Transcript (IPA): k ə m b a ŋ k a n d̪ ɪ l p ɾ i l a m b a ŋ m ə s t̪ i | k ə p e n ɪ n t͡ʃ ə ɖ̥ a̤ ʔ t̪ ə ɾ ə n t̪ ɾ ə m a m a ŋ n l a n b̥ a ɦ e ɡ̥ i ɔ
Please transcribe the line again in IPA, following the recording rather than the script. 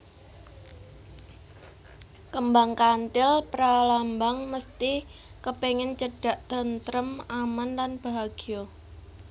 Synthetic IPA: k ə m b a ŋ k a n t̪ ɪ l p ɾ a l a m b a ŋ m ə s t̪ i | k ə p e ŋ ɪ n t͡ʃ ə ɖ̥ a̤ ʔ t̪ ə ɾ ə n t̪ ɾ ə m a m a n l a n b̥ a ɦ a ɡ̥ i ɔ